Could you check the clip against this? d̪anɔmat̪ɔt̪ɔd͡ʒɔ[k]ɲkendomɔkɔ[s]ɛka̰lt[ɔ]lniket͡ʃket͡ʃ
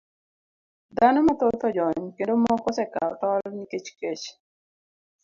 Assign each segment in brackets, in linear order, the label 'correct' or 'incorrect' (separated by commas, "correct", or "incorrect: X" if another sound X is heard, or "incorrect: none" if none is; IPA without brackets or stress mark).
incorrect: none, correct, correct